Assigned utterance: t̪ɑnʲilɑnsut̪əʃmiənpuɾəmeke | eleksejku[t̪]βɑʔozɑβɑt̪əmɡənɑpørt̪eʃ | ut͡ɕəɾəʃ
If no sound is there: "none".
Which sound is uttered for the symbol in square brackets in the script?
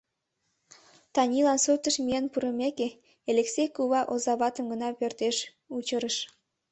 none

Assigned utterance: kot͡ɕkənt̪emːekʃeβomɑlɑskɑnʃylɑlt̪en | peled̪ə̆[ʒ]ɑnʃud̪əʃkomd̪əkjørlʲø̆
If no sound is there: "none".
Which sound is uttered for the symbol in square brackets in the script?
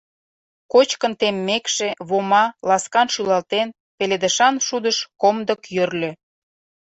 ʃ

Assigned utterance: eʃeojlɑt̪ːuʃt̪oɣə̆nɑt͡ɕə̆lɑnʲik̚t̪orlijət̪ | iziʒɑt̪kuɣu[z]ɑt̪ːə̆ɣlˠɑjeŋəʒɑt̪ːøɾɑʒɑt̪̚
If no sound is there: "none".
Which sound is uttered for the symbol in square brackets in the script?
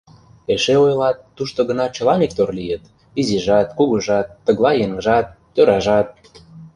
ʒ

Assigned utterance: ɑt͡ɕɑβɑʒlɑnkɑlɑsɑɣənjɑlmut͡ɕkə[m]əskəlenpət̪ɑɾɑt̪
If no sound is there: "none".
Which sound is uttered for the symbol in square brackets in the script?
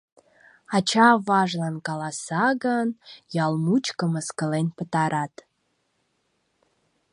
m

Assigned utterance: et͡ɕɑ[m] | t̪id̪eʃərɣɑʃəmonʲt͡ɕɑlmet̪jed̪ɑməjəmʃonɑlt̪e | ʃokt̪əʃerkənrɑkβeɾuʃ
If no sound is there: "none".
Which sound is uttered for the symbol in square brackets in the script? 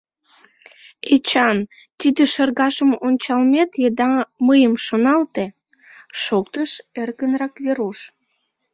n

